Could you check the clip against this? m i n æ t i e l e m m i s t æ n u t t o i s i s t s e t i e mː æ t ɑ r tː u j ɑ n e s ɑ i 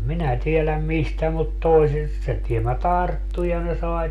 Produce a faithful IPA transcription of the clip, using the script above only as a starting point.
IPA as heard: m i n æ t i e l æ m m i s t æ m u t t o i s i s t s e t i e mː æ t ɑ r tː u j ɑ n e s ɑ i